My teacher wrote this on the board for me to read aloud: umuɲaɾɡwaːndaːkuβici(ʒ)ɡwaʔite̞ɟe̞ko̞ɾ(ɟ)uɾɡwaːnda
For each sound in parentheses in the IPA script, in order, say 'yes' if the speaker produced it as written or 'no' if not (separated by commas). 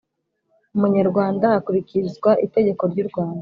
no, yes